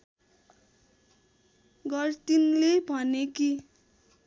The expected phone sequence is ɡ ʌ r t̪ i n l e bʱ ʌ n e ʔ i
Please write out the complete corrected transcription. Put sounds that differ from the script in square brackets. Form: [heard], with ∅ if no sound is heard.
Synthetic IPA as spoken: ɡ ʌ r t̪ i n l e bʱ ʌ n e [k] i